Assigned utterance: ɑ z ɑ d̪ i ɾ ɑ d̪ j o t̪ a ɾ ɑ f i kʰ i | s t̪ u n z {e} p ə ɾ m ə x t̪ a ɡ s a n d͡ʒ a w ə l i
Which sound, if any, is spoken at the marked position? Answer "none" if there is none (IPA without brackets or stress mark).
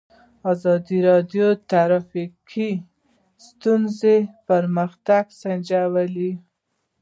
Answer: e